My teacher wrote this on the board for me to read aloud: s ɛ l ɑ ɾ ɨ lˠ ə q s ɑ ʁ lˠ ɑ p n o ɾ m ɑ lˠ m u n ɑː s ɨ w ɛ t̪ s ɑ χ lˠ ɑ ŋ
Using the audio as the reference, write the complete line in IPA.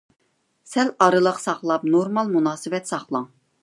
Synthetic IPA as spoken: s ɛ l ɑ ɾ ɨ lˠ ə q s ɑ χ lˠ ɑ p n o ɾ m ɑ lˠ m u n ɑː s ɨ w ɛ t̪ s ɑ χ lˠ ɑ ŋ

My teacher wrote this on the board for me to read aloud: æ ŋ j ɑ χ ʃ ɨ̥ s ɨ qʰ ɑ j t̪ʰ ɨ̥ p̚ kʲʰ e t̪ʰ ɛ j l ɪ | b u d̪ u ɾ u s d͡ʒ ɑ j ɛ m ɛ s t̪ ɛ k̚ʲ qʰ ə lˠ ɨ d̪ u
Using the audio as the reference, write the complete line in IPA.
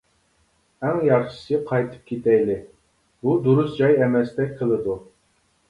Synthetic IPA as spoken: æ ŋ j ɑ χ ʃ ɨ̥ s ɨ qʰ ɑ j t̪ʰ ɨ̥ p̚ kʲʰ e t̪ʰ ɛ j l ɪ | b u d̪ u ɾ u s d͡ʒ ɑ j ɛ m ɛ s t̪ ɛ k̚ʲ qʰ ə lˠ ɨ d̪ u

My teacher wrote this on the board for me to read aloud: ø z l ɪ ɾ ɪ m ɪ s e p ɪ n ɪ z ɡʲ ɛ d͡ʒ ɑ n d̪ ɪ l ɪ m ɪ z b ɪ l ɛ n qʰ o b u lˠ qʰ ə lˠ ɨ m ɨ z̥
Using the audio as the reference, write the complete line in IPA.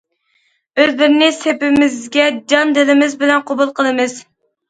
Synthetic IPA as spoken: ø z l ɪ ɾ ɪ n ɪ s e p ɪ m ɪ z ɡʲ ɛ d͡ʒ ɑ n d̪ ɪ l ɪ m ɪ z b ɪ l ɛ n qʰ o b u lˠ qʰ ə lˠ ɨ m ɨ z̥

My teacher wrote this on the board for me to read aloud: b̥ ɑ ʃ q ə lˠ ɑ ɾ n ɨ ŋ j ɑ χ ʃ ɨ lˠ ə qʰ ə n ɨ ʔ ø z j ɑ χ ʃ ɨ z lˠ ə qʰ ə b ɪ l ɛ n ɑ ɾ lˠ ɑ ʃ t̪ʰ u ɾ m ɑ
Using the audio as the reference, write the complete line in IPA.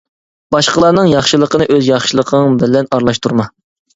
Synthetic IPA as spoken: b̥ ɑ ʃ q ə lˠ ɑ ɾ n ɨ ŋ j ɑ χ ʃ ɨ lˠ ə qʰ ə n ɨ ʔ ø z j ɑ χ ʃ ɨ lˠ ə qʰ ə b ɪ l ɛ n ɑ ɾ lˠ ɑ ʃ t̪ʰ u ɾ m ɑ

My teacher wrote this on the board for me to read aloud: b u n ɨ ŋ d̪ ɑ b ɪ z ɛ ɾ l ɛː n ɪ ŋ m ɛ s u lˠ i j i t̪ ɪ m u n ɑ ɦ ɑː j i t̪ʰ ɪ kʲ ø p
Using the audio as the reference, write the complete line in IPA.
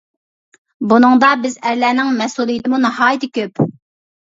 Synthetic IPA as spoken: b u n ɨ ŋ d̪ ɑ b ɪ z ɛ ɾ l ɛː n ɪ ŋ m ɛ s u lˠ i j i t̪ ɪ m u n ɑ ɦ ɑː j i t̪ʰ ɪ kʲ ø p

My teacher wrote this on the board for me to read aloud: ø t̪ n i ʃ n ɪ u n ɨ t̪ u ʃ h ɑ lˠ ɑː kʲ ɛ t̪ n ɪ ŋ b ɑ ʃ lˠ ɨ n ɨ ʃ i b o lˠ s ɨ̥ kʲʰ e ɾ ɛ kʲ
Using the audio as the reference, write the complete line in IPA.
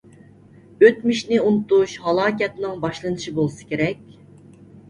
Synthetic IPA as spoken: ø t̪ m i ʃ n ɪ u n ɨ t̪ u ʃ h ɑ lˠ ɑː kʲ ɛ t̪ n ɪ ŋ b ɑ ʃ lˠ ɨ n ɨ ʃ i b o lˠ s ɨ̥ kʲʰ e ɾ ɛ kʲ

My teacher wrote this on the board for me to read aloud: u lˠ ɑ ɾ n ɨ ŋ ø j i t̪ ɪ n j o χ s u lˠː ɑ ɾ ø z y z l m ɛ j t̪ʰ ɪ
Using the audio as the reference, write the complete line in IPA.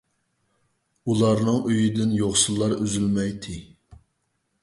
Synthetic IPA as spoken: u lˠ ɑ ɾ n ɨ ŋ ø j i d̪ ɪ n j o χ s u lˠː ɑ ɾ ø z y l m ɛ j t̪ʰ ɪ

